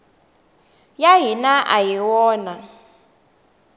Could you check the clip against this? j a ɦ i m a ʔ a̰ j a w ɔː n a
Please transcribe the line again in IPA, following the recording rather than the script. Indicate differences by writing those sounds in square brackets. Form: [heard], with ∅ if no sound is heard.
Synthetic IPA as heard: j a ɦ i [n] a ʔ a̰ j [i] w ɔː n a